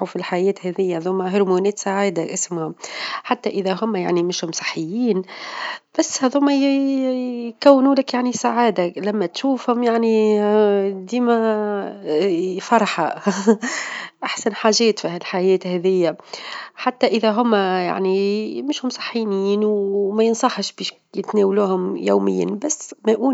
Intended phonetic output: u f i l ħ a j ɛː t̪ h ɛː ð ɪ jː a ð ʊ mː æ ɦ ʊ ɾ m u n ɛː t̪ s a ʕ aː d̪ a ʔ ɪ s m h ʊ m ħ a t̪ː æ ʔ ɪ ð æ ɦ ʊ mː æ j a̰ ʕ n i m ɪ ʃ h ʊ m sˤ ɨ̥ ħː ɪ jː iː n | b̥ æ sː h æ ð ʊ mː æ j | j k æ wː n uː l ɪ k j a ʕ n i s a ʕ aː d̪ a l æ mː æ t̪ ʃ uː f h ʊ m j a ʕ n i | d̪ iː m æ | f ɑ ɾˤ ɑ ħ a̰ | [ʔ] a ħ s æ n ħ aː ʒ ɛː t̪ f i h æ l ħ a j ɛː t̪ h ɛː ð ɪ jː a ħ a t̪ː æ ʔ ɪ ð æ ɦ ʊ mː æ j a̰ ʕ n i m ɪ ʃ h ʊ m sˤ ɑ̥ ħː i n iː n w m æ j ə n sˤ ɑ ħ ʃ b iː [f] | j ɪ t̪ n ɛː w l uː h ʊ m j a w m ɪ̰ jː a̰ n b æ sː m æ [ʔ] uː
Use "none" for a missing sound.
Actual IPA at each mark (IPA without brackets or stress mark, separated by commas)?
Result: ʔ, ʃ, ʔ